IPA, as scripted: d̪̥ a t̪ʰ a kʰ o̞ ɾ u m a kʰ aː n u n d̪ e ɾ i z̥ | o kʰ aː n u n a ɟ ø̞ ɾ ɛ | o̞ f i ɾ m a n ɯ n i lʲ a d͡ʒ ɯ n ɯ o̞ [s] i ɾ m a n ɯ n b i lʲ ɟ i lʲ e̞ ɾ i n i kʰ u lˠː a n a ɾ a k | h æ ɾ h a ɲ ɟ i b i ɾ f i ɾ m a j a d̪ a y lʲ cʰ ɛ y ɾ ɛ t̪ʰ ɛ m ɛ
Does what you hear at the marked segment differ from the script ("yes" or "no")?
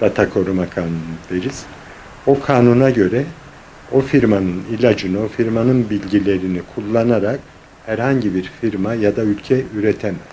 yes